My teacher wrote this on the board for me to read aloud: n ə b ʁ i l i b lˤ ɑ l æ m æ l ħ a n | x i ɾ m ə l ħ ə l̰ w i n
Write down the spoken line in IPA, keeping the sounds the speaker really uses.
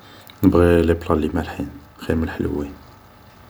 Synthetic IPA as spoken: n ə b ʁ i l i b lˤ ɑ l i m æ l ħ i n | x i ɾ m ə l ħ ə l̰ w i n